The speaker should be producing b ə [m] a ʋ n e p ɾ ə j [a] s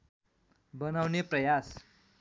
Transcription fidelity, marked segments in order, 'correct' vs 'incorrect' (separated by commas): incorrect, correct